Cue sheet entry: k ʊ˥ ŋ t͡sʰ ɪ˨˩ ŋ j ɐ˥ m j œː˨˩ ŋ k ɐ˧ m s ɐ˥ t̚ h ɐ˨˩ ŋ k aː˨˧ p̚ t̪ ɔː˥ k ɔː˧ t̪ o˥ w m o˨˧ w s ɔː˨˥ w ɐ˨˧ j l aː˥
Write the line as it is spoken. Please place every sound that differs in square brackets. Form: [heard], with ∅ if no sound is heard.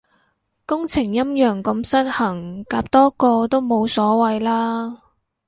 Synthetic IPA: k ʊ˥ ŋ t͡sʰ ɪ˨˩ ŋ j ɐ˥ m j œː˨˩ ŋ k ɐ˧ m s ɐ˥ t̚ h ɐ˨˩ ŋ k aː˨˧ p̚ t̪ ɔː˥ k ɔː˧ t̪ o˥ w m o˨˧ w s ɔː˨˥ w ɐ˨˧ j l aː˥